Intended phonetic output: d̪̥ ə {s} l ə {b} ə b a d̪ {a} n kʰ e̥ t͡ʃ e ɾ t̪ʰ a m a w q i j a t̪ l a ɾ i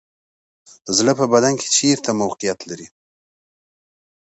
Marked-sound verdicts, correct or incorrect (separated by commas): incorrect, incorrect, correct